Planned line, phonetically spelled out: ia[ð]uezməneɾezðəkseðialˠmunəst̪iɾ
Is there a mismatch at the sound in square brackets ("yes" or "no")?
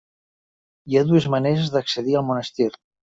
no